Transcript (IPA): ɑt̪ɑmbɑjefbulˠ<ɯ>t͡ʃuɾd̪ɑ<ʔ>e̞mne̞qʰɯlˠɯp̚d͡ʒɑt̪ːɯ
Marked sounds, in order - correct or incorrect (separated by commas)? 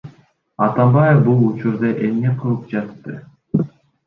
incorrect, correct